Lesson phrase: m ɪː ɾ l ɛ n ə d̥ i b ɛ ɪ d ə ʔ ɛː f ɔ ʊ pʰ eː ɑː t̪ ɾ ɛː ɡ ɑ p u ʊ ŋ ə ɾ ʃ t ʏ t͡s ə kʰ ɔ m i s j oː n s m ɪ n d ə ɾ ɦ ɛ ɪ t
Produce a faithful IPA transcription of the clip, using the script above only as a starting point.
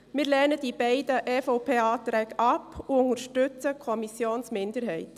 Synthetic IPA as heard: m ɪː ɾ l ɛ n ə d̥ i b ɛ ɪ d ə ʔ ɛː f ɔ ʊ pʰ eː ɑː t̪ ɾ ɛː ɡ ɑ p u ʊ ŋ ə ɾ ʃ t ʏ t͡s ə kʰ ɔ m i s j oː n s m ɪ n d ə ɾ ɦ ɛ ɪ t